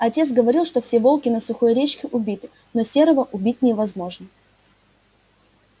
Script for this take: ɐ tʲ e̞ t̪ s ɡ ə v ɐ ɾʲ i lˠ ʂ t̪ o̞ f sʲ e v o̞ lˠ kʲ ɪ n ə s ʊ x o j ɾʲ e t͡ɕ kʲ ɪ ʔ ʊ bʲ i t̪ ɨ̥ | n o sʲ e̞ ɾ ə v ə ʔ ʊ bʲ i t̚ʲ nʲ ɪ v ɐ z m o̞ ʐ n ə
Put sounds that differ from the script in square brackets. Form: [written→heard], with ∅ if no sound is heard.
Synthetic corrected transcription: ɐ tʲ e̞ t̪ s ɡ ə v ɐ ɾʲ i lˠ ʂ t̪ o̞ f sʲ e v o̞ lˠ kʲ ɪ n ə s ʊ x o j ɾʲ e t͡ɕ kʲ ɪ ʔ ʊ bʲ i t̪ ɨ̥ | n o sʲ e̞ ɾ ə v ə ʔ ʊ bʲ i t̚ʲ nʲ ɪ v ɐ z m o̞ ʐ n ə